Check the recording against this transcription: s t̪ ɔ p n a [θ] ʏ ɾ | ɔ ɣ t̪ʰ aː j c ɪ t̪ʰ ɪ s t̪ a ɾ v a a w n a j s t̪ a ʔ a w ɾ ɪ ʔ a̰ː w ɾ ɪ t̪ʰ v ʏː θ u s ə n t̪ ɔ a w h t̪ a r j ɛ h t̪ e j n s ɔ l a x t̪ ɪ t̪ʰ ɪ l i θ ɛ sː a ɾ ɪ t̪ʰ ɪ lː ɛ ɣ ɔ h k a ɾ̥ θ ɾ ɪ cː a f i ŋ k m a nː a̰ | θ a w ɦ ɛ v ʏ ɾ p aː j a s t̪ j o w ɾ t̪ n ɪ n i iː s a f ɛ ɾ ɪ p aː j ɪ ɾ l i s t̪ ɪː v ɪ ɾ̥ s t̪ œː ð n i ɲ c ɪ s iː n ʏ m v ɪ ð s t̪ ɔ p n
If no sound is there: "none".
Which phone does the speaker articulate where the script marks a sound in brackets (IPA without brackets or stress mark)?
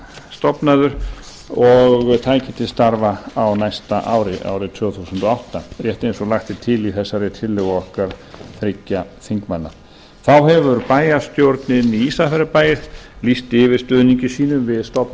ð